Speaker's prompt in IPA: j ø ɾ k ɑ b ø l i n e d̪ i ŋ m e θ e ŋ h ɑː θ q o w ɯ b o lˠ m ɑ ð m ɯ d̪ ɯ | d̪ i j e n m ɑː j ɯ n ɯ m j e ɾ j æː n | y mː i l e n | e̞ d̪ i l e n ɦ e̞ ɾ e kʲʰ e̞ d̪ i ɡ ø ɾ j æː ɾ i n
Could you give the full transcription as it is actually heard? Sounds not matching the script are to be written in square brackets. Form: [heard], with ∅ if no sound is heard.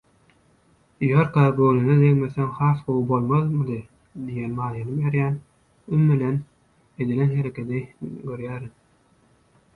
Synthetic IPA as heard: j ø ɾ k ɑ b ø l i n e d̪ [e] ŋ m e θ e ŋ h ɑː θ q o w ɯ b o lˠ m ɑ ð m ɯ d̪ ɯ | d̪ i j e n m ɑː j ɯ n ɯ m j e ɾ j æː n | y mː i l e n | e̞ d̪ i l e n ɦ e̞ ɾ e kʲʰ e̞ d̪ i ɡ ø ɾ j æː ɾ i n